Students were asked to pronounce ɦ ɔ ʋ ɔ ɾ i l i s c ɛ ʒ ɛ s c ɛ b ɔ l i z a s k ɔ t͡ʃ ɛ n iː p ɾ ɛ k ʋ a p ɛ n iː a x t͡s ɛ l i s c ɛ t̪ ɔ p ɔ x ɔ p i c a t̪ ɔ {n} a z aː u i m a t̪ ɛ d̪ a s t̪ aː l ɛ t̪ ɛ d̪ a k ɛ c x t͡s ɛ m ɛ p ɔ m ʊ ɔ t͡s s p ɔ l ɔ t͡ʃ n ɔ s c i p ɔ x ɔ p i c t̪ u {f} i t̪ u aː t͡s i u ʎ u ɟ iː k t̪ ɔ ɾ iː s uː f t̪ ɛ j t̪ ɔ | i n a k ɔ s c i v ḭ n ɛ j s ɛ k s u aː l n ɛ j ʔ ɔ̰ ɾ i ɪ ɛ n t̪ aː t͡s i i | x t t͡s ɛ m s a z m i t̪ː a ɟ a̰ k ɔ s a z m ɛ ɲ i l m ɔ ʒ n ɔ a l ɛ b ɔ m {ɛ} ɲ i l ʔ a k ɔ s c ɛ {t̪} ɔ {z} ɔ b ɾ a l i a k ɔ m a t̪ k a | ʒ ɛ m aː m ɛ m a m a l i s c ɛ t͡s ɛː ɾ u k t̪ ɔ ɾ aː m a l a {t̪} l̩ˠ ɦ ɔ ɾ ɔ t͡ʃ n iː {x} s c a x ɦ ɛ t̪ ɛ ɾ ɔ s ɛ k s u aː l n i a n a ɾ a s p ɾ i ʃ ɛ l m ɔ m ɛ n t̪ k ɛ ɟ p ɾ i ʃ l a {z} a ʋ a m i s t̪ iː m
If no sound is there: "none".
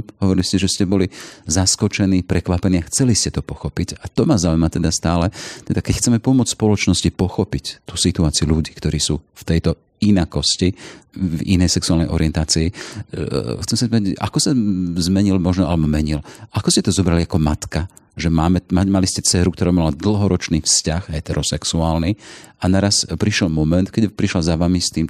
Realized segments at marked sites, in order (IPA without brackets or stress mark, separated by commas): m, s, ɛ, t̪, z, d̪, f, z